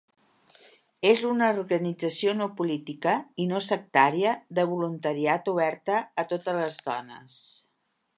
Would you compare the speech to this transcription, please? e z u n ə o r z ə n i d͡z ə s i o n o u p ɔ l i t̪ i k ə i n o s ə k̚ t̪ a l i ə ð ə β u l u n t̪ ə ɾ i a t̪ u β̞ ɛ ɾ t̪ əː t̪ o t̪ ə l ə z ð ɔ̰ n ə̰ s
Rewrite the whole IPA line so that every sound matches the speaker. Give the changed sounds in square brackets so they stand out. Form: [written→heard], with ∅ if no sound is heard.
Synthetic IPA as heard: e z u n ə [o→u] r [z→ɣ] ə n i d͡z ə s i o n o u p [ɔ→u] l i t̪ i k ə i n o s ə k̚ t̪ a [l→ɾ] i ə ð ə β u l u n t̪ ə ɾ i a t̪ u β̞ ɛ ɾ t̪ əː t̪ o t̪ ə l ə z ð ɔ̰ n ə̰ s